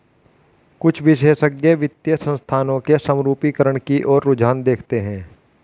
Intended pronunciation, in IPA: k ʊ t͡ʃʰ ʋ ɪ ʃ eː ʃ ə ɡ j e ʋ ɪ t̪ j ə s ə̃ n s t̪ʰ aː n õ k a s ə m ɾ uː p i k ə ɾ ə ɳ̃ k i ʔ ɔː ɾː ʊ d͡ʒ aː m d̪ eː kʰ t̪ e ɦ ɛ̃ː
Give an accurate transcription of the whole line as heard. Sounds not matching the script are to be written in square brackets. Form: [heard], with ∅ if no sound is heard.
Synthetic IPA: k ʊ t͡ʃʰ ʋ ɪ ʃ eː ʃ ə ɡ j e ʋ ɪ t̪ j ə s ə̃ n s t̪ʰ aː n õ k [e] s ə m ɾ uː p i k ə ɾ ə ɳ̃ k i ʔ ɔː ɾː ʊ d͡ʒ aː [n] d̪ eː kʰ t̪ e ɦ ɛ̃ː